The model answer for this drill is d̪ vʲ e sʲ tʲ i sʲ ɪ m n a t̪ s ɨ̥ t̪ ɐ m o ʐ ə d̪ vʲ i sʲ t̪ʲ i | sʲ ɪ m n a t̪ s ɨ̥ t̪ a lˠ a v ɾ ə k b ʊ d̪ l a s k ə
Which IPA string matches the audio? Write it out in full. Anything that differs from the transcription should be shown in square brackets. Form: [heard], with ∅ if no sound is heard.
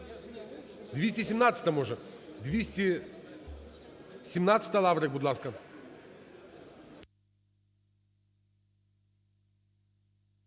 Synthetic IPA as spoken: d̪ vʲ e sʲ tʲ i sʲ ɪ m n a t̪ s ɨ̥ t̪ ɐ m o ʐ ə d̪ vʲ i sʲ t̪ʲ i | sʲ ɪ m n a t̪ s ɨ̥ t̪ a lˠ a v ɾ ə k b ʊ d̪ l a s k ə

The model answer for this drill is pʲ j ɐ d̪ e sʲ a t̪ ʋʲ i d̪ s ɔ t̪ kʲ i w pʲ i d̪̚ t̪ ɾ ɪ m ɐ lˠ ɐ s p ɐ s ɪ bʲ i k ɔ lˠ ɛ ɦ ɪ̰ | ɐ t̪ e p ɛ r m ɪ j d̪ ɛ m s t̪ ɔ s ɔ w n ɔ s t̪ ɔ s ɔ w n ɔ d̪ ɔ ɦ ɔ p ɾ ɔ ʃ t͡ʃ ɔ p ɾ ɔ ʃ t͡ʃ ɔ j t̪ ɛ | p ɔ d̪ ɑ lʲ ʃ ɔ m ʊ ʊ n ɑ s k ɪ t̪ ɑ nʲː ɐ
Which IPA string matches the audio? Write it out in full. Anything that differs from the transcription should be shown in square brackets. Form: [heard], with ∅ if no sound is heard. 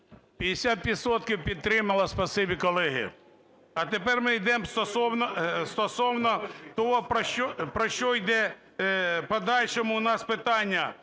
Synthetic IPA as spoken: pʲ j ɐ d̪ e sʲ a t̪ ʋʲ i d̪ s ɔ t̪ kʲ i w pʲ i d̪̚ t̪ ɾ ɪ m ɐ lˠ ɐ s p ɐ s ɪ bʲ i k ɔ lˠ ɛ ɦ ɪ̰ | ɐ t̪ e p ɛ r m ɪ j d̪ ɛ m s t̪ ɔ s ɔ w n ɔ s t̪ ɔ s ɔ w n ɔ [t̪] ɔ ɦ ɔ p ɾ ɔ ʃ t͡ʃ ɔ p ɾ ɔ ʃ t͡ʃ ɔ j [d̪] ɛ | p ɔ d̪ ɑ lʲ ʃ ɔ m ʊ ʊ n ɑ s [p] ɪ t̪ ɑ nʲː ɐ

